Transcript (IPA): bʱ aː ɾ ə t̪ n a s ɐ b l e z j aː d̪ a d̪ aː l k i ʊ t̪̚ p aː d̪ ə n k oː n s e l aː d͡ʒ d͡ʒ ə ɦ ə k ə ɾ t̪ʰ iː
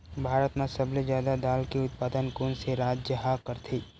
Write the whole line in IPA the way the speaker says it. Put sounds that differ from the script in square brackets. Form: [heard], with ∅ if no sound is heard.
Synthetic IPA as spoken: bʱ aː ɾ ə t̪ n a s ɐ b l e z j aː d̪ a d̪ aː l k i ʊ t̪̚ p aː d̪ ə n k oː n s e [ɾ] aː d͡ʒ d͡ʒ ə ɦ [a] k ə ɾ t̪ʰ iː